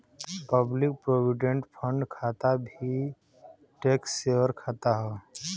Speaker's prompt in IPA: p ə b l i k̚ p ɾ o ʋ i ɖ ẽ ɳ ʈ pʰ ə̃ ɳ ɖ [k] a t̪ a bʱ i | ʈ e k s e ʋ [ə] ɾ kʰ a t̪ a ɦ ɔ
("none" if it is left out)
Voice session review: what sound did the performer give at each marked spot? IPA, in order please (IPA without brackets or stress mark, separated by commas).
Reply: kʰ, ə